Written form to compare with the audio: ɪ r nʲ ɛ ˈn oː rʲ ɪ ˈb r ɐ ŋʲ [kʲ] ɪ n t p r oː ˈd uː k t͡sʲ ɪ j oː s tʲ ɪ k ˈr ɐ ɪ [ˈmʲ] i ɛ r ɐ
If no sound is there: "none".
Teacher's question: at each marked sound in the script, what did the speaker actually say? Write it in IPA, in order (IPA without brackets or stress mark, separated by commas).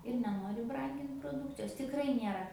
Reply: ɡʲ, nʲ